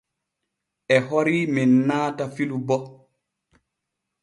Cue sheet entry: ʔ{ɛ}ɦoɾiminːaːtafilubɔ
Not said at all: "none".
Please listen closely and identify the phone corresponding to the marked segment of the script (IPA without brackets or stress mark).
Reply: ɛ